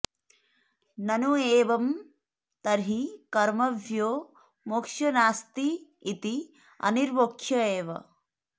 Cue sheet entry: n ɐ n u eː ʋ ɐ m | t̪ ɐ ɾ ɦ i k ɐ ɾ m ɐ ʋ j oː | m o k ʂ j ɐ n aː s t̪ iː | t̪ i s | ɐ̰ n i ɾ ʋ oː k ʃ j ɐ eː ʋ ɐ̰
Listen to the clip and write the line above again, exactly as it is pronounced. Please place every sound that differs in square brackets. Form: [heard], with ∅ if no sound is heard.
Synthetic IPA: n ɐ n u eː ʋ ɐ m | t̪ ɐ ɾ ɦ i k ɐ ɾ m ɐ ʋ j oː | m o k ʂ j ɐ n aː s t̪ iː | t̪ i [∅] | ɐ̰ n i ɾ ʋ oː k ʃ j ɐ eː ʋ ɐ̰